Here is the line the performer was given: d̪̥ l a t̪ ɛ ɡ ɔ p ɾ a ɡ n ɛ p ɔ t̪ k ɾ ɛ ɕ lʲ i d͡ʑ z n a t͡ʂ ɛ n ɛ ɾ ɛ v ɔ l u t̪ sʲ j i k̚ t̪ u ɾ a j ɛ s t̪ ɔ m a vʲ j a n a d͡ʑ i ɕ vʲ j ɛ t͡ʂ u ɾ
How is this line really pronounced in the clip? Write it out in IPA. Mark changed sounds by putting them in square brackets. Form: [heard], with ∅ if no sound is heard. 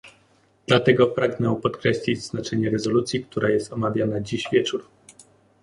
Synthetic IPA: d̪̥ l a t̪ ɛ ɡ ɔ p ɾ a ɡ n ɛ p ɔ t̪ k ɾ ɛ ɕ lʲ i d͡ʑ z n a t͡ʂ ɛ [ɲ] ɛ ɾ ɛ [z] ɔ l u t̪ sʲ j i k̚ t̪ u ɾ a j ɛ s t̪ ɔ m a vʲ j a n a d͡ʑ i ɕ vʲ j ɛ t͡ʂ u ɾ